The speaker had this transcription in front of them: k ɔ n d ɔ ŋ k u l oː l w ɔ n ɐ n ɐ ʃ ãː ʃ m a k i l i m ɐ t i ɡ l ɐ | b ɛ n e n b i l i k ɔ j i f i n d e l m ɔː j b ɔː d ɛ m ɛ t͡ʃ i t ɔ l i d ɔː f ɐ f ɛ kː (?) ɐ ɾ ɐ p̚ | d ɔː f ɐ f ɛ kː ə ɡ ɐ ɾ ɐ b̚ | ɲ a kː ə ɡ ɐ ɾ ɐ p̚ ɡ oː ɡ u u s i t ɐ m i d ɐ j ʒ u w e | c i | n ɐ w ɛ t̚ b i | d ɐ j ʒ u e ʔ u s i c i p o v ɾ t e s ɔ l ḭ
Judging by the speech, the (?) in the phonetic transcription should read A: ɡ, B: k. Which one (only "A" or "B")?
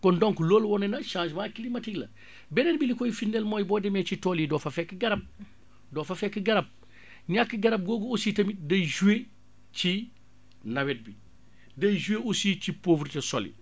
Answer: A